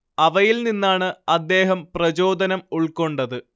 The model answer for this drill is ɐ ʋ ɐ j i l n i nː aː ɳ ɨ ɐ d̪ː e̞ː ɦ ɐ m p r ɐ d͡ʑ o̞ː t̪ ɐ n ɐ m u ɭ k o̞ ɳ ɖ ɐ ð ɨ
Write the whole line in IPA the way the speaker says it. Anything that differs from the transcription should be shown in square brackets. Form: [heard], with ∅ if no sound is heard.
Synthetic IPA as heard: ɐ ʋ ɐ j i l n i nː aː ɳ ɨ ɐ d̪ː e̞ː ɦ ɐ m p r ɐ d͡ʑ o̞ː [d̪] ɐ n ɐ m u ɭ k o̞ ɳ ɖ ɐ ð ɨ

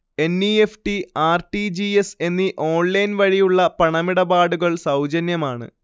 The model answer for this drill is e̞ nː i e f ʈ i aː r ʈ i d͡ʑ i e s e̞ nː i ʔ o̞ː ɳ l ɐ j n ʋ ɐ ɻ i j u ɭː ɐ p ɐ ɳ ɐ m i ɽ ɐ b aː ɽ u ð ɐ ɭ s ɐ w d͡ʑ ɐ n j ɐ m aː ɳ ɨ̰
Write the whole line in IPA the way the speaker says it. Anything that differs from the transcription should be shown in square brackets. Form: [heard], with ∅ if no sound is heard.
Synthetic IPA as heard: e̞ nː i e f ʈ i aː r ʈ i d͡ʑ i e s e̞ nː i ʔ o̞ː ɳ l ɐ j n ʋ ɐ ɻ i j u ɭː ɐ p ɐ ɳ ɐ m i ɽ ɐ b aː ɽ u [ɣ] ɐ ɭ s ɐ w d͡ʑ ɐ n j ɐ m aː ɳ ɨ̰

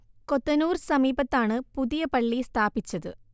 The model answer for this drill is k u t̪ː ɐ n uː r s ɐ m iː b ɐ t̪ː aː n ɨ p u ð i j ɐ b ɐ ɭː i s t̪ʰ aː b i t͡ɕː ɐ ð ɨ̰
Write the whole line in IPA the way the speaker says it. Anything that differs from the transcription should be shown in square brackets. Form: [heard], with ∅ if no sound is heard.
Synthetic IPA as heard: k [o] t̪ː ɐ n uː r s ɐ m iː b ɐ t̪ː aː [ɳ] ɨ p u ð i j ɐ [p] ɐ ɭː i s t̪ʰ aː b i t͡ɕː ɐ ð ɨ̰

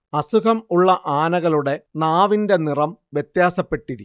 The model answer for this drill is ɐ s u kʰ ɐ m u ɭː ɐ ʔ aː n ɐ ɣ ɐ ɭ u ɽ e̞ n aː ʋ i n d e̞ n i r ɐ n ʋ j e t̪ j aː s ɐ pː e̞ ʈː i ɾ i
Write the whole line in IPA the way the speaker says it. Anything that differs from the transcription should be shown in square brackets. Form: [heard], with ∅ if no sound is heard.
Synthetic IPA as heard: ɐ s u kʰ ɐ m u ɭː ɐ ʔ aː n ɐ ɣ ɐ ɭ u ɽ e̞ n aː ʋ i n d e̞ n i r ɐ [m] ʋ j e t̪ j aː s ɐ pː e̞ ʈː i ɾ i

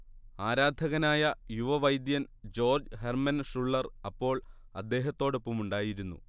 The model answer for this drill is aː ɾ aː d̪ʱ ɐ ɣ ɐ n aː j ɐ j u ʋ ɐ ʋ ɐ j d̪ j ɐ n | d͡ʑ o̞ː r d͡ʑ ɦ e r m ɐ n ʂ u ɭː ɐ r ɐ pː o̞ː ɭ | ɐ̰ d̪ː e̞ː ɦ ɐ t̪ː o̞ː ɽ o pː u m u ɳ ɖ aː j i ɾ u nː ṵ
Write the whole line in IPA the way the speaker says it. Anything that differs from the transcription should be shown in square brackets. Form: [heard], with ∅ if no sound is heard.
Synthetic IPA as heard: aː ɾ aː d̪ʱ ɐ ɣ ɐ n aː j ɐ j u ʋ ɐ ʋ ɐ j d̪ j ɐ n | d͡ʑ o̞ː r d͡ʑ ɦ e r m ɐ n ʂ u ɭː ɐ r ɐ pː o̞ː ɭ | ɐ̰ d̪ː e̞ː ɦ ɐ t̪ː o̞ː ɽ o pː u m u ɳ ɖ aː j i ɾ u nː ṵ

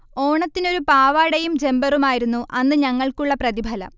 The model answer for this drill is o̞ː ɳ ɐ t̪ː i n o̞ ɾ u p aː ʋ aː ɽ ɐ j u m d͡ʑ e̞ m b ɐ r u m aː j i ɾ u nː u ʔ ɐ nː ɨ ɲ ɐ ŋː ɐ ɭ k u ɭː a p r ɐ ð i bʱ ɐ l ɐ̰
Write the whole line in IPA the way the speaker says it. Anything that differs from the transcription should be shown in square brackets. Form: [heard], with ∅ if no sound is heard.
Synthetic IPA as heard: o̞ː ɳ ɐ t̪ː i n o̞ ɾ u p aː ʋ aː ɽ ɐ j u m d͡ʑ e̞ m b ɐ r u m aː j i ɾ u nː u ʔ ɐ nː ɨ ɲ ɐ ŋː ɐ ɭ k u ɭː [ɐ] p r ɐ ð i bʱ ɐ l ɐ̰

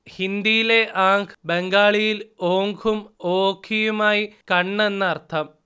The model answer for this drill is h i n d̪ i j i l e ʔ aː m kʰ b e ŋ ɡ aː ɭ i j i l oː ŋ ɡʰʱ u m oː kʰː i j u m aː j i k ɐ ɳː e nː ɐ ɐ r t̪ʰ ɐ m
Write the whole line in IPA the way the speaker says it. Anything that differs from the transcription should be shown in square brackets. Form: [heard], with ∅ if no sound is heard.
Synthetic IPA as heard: h i n d̪ i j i l e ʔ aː [ŋ] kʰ b e ŋ ɡ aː ɭ i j i l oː ŋ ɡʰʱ u m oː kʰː i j u m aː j i k ɐ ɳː e nː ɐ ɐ r t̪ʰ ɐ m

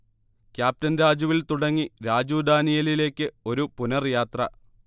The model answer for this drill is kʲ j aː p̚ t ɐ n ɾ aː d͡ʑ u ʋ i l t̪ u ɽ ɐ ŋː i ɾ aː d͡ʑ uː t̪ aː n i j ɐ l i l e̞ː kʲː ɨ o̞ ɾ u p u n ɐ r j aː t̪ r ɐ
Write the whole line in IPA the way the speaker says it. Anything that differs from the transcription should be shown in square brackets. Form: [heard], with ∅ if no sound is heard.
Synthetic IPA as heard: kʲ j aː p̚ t ɐ n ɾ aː d͡ʑ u ʋ i l t̪ u ɽ ɐ ŋː i ɾ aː d͡ʑ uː [d̪] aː n i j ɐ l i l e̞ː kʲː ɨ o̞ ɾ u p u n ɐ r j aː t̪ r ɐ

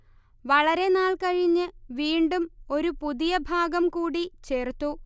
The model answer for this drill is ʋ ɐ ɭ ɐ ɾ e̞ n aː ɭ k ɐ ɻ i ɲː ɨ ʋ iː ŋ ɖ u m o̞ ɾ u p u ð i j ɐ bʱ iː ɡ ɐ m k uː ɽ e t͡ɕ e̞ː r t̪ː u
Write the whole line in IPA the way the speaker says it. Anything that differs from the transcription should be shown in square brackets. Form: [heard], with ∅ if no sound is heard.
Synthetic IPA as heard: ʋ ɐ ɭ ɐ ɾ e̞ n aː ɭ k ɐ ɻ i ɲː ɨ ʋ iː [ɳ] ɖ u m o̞ ɾ u p u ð i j ɐ bʱ [aː] ɡ ɐ m k uː ɽ [i] t͡ɕ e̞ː r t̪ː u

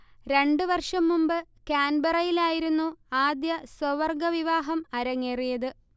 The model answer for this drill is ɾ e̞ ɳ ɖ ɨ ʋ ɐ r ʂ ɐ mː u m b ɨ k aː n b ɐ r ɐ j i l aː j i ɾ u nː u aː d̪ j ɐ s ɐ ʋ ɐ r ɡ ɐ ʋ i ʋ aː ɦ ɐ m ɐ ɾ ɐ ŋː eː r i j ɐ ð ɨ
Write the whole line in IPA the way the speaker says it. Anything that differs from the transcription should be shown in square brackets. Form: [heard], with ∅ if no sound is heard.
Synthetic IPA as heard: ɾ e̞ ɳ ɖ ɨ ʋ ɐ r ʂ ɐ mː u m b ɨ k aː n b ɐ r ɐ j i l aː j i ɾ u nː u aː d̪ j ɐ s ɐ ʋ ɐ r ɡ ɐ ʋ i ʋ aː ɦ ɐ m ɐ ɾ ɐ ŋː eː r i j ɐ ð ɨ

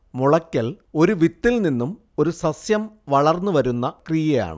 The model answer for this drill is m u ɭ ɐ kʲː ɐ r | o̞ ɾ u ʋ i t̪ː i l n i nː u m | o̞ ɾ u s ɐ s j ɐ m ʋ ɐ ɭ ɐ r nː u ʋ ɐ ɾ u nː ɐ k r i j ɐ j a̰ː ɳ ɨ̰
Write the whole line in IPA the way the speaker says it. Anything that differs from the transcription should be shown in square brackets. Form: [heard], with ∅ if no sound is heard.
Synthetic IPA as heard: m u ɭ ɐ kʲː ɐ [l] | o̞ ɾ u ʋ i t̪ː i l n i nː u m | o̞ ɾ u s ɐ s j ɐ m ʋ ɐ ɭ ɐ r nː u ʋ ɐ ɾ u nː ɐ k r i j ɐ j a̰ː ɳ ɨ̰

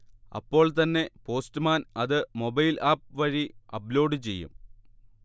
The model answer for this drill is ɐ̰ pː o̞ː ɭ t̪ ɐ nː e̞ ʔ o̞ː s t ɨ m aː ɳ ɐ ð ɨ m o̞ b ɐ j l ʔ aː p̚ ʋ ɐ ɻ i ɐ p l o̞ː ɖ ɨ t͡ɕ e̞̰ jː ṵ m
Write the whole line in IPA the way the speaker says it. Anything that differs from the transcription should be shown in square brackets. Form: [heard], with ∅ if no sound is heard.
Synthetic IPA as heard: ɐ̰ pː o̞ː ɭ t̪ ɐ nː e̞ [p] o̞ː s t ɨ m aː [n] ɐ ð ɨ m o̞ b ɐ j l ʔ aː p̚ ʋ ɐ ɻ i ɐ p l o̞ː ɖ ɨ t͡ɕ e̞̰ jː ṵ m

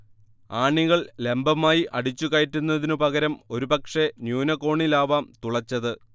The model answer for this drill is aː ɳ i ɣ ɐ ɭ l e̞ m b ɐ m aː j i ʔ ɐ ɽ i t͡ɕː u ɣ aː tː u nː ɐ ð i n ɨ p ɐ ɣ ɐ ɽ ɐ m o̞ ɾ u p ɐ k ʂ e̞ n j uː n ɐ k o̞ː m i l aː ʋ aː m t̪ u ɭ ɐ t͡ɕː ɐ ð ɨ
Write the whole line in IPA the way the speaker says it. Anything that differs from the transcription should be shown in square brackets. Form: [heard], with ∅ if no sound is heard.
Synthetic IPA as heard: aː ɳ i ɣ ɐ ɭ l e̞ m b ɐ m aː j i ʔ ɐ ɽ i t͡ɕː u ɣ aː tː u nː ɐ ð i n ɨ p ɐ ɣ ɐ [ɾ] ɐ m o̞ ɾ u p ɐ k ʂ e̞ n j uː n ɐ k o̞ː [ɳ] i l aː ʋ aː m t̪ u ɭ ɐ t͡ɕː ɐ ð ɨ

